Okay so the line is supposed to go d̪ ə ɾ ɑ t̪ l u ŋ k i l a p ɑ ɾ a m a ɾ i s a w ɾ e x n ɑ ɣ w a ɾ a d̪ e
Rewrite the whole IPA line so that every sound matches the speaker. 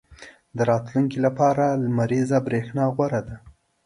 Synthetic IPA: d̪ ə ɾ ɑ t̪ l u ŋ k i l a p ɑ ɾ a m a ɾ i z a b ɾ e x n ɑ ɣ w a ɾ a d̪ a